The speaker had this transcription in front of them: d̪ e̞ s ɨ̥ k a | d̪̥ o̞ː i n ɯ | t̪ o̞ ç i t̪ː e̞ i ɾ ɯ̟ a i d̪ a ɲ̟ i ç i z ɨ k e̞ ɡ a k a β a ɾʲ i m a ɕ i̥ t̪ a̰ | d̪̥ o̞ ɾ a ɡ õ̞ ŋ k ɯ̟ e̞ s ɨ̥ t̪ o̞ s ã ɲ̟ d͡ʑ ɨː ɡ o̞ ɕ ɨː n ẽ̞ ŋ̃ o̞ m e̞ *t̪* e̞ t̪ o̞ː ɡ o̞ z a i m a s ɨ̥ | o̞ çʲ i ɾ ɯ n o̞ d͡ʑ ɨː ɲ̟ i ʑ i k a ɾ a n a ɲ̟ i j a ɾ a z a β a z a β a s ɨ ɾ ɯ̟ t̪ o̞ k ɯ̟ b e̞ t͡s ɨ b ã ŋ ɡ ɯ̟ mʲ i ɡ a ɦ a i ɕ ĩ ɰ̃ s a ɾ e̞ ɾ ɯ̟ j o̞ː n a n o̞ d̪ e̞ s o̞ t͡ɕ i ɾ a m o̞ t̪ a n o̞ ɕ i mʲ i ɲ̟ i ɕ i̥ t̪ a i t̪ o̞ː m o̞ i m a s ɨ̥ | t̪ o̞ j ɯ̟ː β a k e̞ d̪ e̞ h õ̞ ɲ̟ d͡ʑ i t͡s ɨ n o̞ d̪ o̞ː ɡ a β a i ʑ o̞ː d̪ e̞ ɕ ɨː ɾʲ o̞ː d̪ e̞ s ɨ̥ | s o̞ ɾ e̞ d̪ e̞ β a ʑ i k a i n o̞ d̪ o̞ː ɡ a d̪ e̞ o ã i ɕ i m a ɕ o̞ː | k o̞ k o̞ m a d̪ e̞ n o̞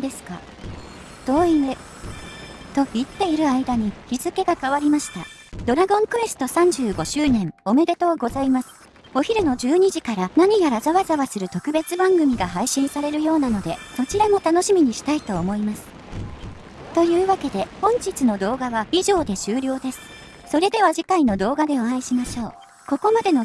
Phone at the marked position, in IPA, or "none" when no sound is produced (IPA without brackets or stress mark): d̪